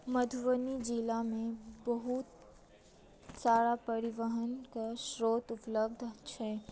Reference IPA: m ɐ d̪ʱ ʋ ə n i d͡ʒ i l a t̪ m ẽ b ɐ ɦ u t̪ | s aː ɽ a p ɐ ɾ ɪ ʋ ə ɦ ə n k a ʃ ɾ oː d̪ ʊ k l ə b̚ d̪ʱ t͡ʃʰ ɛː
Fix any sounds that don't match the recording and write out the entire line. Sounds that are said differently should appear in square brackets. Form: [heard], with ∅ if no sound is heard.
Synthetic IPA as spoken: m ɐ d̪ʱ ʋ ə n i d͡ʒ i l a [∅] m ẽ b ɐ ɦ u t̪ | s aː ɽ a p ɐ ɾ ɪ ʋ ə ɦ ə n k a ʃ ɾ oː [t̪] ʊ [p] l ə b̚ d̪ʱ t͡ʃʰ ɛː